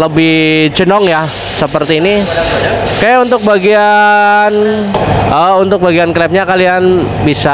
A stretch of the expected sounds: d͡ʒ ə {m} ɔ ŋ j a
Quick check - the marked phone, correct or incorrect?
incorrect